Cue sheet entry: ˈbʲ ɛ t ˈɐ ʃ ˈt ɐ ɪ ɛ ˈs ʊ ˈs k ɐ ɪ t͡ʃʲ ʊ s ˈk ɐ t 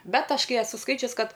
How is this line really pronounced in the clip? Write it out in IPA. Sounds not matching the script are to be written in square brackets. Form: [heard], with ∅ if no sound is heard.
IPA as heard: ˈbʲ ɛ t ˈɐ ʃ [ˈk] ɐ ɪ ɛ ˈs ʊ ˈs k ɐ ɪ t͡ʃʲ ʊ s ˈk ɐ t